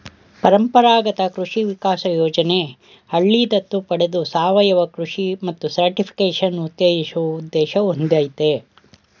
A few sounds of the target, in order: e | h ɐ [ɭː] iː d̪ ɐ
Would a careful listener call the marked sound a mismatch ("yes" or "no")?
no